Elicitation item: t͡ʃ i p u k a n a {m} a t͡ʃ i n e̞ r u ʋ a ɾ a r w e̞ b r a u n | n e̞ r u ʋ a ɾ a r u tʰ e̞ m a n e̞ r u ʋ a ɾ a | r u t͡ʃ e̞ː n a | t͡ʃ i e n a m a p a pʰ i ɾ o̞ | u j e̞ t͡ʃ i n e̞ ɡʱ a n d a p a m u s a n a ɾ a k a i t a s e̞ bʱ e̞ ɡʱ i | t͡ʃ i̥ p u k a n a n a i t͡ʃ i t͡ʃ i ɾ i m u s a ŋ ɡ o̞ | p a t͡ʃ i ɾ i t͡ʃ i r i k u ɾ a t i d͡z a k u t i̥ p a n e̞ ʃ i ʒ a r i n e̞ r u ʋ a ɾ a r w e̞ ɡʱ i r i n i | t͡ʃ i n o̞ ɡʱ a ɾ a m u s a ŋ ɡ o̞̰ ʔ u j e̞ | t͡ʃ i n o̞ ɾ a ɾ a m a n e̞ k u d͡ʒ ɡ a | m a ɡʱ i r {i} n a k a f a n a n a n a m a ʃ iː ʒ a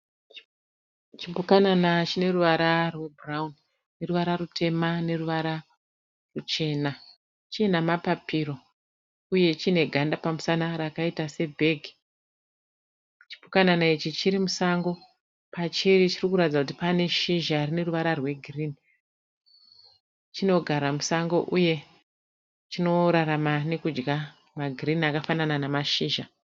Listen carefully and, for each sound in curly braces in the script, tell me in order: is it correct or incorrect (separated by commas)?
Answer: incorrect, correct